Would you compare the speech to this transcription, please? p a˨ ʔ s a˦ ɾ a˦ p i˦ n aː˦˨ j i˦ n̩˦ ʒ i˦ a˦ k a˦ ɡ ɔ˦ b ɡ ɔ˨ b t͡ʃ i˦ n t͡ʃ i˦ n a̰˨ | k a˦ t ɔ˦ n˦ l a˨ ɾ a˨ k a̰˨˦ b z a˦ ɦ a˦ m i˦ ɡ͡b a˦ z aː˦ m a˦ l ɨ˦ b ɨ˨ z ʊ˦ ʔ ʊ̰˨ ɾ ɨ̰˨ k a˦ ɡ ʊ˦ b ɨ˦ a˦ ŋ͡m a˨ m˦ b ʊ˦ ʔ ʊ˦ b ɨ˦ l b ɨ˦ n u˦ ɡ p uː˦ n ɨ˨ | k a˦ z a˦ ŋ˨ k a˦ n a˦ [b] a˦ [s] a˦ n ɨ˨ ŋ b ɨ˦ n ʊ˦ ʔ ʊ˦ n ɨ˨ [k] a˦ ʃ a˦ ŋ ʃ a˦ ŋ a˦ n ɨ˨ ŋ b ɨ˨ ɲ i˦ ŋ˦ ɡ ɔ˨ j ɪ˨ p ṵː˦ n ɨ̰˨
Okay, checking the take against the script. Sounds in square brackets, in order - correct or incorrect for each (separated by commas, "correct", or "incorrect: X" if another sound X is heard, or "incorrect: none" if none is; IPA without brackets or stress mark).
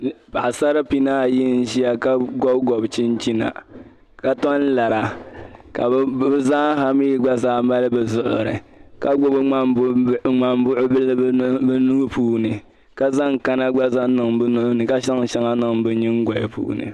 incorrect: ɡ͡b, incorrect: z, correct